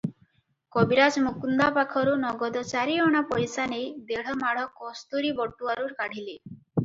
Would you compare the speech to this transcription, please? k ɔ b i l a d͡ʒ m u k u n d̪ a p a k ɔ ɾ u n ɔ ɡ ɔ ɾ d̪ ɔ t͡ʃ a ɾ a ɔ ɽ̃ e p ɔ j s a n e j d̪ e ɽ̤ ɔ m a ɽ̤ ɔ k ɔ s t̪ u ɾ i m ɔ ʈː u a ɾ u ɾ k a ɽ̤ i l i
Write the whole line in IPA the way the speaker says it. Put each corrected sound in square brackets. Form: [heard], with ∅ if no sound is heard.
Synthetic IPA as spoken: k ɔ b i [ɾ] a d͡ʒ m u k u n d̪ a p a [kʰ] ɔ ɾ u n ɔ ɡ ɔ [∅] d̪ ɔ t͡ʃ a ɾ [i] ɔ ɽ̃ [a] p ɔ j s a n e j d̪ e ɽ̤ ɔ m a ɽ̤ ɔ k ɔ s t̪ u ɾ i [b] ɔ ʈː u a ɾ u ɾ k a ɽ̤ i l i